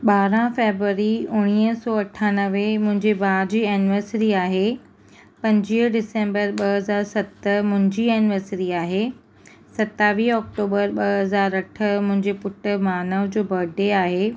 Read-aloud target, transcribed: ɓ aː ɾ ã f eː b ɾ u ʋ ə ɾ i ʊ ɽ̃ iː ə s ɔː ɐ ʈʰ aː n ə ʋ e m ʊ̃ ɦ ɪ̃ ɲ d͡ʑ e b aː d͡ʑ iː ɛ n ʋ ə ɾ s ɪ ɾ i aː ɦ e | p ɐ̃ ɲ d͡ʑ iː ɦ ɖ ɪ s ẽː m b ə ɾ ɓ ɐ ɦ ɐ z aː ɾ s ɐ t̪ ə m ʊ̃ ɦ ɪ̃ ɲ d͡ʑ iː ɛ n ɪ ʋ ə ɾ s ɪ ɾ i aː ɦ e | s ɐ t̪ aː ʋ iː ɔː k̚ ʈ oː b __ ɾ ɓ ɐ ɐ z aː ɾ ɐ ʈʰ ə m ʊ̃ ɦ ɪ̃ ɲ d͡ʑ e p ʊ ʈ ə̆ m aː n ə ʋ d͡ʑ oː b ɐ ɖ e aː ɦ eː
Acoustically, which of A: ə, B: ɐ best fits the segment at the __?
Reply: A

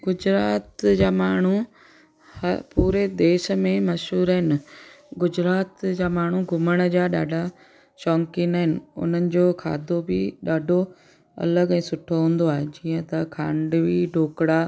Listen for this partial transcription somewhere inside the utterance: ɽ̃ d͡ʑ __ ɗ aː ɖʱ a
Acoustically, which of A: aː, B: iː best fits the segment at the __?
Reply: A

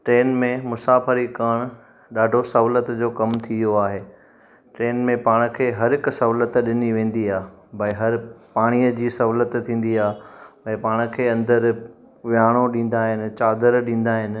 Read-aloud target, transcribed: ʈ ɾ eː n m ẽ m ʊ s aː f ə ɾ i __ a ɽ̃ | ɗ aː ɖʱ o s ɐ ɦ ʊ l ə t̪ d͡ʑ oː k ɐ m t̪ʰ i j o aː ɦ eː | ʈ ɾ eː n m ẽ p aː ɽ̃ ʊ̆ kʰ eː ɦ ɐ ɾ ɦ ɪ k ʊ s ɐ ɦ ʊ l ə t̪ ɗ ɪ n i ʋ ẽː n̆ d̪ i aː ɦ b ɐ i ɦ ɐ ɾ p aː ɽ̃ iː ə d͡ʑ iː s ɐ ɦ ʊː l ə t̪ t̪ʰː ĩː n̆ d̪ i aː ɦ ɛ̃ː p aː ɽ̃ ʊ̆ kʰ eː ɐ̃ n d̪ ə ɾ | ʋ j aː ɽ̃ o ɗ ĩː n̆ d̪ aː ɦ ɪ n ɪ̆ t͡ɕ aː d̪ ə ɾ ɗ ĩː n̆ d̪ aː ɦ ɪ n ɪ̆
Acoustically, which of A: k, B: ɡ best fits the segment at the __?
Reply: A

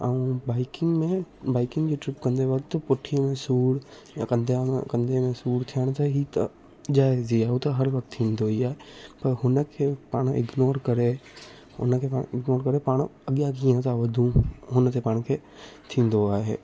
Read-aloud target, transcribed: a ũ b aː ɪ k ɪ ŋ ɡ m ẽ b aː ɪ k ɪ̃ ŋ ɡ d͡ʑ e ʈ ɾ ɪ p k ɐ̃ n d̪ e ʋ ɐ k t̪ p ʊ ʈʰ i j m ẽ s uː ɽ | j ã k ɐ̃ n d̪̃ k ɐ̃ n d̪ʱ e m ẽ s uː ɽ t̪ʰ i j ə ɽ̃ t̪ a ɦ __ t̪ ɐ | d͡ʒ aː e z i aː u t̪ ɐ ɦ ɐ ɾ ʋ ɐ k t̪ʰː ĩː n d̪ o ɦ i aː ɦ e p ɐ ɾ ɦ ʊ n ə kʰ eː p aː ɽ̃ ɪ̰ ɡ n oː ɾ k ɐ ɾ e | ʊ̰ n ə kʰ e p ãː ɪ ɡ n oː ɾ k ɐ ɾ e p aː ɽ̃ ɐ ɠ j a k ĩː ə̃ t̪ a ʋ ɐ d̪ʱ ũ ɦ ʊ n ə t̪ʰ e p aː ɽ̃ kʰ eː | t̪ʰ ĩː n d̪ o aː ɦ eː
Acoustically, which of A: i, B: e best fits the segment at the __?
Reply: A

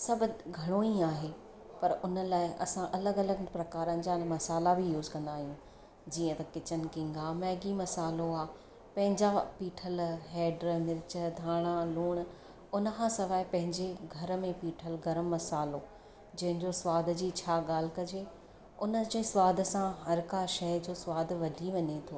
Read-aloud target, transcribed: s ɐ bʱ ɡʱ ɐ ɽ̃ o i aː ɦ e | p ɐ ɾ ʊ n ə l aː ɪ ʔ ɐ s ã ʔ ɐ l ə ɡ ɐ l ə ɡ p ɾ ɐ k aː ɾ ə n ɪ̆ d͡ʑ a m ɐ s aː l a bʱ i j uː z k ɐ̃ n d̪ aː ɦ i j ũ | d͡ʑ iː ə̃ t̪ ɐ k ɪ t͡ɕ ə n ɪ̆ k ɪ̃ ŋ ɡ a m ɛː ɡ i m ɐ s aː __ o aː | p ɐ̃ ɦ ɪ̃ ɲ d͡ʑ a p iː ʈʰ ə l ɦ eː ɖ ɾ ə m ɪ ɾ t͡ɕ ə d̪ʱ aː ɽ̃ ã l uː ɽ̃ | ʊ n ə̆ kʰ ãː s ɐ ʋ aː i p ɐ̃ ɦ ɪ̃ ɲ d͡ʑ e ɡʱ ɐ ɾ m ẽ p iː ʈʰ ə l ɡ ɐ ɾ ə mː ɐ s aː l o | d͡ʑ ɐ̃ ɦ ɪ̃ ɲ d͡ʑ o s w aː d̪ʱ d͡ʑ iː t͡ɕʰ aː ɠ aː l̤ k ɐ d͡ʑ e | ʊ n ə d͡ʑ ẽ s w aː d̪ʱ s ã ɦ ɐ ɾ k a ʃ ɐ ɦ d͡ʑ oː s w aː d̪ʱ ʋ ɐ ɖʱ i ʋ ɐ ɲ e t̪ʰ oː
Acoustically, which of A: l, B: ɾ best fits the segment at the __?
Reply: A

